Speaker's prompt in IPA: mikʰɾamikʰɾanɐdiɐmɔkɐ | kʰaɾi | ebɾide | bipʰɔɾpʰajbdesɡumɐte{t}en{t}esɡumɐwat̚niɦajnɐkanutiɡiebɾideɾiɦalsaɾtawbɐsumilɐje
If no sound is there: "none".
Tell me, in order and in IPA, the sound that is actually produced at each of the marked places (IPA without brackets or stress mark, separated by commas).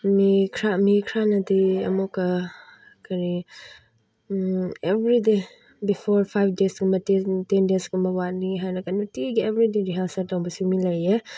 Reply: t, d